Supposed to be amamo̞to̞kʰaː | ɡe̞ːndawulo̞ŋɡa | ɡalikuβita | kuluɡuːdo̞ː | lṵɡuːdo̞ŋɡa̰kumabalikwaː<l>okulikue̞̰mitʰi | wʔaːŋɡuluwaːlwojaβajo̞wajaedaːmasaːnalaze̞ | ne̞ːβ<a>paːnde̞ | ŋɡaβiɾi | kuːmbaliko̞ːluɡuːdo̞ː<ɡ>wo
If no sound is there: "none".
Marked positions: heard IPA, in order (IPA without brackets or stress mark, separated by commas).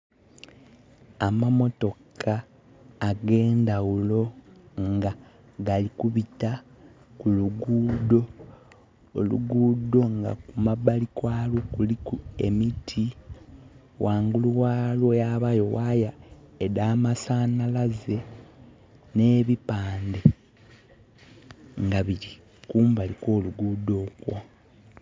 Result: l, i, k